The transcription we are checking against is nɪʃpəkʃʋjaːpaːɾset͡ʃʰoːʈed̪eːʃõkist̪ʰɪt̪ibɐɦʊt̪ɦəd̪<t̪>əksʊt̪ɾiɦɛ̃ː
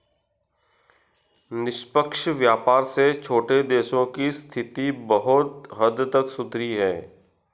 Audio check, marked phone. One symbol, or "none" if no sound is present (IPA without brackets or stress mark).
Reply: t̪